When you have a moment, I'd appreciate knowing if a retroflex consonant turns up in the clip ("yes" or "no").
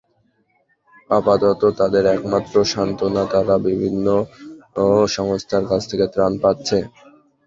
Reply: no